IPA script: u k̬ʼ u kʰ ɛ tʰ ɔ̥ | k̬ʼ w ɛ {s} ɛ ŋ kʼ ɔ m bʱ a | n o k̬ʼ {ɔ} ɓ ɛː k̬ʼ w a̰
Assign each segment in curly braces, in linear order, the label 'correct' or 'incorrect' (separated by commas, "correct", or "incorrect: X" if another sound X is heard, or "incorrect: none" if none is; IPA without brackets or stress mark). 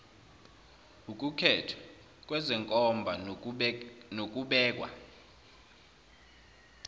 incorrect: z, incorrect: u